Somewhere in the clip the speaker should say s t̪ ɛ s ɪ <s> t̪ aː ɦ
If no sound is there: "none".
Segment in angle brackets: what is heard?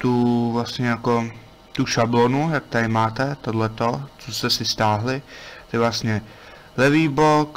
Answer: s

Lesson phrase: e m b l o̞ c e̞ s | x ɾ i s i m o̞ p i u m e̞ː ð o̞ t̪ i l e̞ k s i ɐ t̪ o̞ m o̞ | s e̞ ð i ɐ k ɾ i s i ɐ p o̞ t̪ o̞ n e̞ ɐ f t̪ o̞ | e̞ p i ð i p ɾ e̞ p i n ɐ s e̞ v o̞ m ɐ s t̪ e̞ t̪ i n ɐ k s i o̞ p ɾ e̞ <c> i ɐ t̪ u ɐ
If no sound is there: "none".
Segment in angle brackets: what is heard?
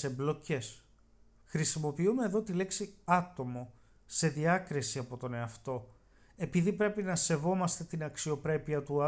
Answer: p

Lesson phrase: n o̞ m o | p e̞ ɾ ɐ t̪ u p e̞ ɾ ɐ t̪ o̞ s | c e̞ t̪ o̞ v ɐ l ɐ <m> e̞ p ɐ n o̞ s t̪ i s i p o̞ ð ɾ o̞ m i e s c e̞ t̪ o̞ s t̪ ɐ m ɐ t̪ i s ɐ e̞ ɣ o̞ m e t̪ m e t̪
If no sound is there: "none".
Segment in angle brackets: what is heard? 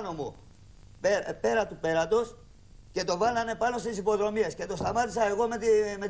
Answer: n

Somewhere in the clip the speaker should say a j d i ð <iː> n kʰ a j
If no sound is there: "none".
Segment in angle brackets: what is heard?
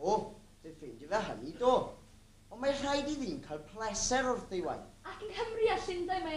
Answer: iː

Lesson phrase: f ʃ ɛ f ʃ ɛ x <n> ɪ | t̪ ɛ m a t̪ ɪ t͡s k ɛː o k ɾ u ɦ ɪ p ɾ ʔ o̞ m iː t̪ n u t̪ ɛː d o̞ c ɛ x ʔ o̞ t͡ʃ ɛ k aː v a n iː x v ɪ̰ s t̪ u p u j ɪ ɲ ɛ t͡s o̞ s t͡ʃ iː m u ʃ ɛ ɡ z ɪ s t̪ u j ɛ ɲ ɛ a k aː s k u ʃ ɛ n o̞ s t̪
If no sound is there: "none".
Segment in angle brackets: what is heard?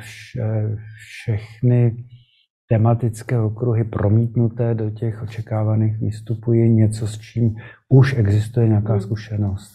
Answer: n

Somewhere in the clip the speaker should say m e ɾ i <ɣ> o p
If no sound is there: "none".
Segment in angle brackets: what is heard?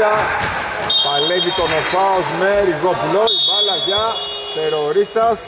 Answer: ɣ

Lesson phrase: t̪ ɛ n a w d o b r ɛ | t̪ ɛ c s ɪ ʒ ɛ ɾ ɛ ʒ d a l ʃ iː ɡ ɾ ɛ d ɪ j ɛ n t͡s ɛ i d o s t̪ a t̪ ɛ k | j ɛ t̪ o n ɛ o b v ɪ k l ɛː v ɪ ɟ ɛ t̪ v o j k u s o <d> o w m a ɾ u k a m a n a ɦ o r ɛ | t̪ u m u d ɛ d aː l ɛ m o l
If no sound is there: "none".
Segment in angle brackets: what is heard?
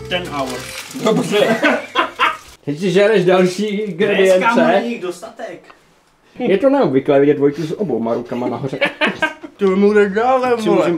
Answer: b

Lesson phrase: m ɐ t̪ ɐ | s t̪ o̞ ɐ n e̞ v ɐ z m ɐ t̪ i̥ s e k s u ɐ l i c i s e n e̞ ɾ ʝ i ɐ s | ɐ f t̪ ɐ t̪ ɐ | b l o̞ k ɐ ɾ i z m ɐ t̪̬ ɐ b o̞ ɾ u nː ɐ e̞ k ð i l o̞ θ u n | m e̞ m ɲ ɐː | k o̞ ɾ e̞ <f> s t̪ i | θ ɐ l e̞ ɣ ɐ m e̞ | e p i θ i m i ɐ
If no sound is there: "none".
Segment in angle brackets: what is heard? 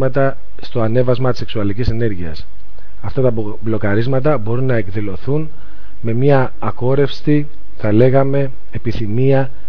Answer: f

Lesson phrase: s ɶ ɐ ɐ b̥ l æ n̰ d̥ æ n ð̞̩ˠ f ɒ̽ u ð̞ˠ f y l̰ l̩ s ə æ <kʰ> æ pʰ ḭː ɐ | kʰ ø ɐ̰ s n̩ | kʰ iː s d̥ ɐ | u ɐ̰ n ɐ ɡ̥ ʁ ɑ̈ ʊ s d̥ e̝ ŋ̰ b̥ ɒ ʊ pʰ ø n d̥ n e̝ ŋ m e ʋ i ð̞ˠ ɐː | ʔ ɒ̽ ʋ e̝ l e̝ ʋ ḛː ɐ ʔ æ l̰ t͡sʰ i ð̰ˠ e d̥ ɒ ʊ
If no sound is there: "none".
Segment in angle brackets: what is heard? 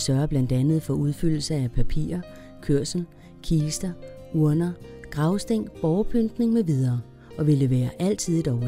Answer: pʰ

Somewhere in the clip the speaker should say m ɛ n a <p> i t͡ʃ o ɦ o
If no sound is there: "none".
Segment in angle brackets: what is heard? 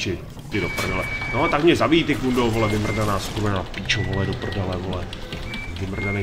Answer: p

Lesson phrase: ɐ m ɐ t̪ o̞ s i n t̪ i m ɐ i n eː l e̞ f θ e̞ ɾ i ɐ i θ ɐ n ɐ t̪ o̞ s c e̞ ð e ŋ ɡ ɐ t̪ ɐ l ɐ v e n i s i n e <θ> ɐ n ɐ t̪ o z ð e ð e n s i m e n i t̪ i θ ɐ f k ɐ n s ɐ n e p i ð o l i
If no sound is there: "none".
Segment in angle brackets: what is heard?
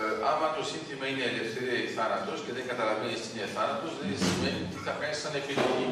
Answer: θ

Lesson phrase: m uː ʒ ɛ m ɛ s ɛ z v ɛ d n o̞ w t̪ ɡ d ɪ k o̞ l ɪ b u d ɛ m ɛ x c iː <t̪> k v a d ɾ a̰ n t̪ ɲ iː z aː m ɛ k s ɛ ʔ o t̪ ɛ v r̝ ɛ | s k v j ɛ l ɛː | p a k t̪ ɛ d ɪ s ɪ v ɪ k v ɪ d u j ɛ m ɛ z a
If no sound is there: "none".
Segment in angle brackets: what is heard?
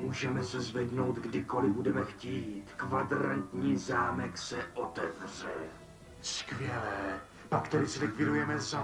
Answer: t̪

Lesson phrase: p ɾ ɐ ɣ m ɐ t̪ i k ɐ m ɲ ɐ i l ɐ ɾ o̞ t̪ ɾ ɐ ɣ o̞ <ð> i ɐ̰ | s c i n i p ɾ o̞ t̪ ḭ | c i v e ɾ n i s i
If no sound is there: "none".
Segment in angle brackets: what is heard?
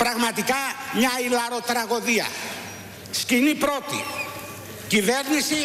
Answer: ð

